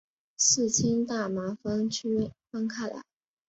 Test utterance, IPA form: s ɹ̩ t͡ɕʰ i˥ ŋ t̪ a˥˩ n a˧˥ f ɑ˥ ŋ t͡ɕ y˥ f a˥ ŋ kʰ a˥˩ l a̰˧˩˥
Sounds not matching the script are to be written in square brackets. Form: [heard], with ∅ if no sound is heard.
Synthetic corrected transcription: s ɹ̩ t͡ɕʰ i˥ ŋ t̪ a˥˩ [m] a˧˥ f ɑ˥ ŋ [t͡ɕʰ] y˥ f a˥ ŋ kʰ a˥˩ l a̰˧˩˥

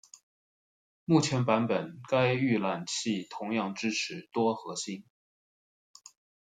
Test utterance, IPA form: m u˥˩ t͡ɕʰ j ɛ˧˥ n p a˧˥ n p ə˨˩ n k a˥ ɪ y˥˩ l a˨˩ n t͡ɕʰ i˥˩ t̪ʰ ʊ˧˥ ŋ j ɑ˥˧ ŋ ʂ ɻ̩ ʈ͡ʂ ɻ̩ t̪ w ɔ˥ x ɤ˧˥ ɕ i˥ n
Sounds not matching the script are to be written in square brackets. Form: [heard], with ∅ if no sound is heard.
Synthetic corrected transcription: m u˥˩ t͡ɕʰ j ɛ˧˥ n p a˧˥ n p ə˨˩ n k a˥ ɪ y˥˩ l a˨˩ n t͡ɕʰ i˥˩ t̪ʰ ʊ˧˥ ŋ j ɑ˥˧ ŋ [ʈ͡ʂ] ɻ̩ [ʈ͡ʂʰ] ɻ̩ t̪ w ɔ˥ x ɤ˧˥ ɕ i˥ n

